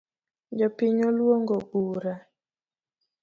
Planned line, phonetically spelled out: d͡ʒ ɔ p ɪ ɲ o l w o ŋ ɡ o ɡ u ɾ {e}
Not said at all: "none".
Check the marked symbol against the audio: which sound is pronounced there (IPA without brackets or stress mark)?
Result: a